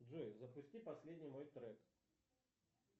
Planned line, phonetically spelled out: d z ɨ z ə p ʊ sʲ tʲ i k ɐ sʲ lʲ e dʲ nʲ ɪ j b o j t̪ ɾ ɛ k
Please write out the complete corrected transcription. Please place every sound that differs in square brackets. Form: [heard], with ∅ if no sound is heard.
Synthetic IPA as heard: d [ʐ] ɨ z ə p ʊ sʲ tʲ i [p] ɐ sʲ lʲ e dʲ nʲ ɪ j [m] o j t̪ ɾ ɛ k